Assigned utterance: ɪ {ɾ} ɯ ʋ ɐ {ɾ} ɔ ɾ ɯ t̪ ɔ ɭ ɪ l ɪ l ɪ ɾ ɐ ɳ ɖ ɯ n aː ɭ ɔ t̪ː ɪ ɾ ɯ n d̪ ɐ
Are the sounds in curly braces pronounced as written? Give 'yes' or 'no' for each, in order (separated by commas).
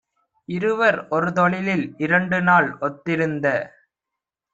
yes, yes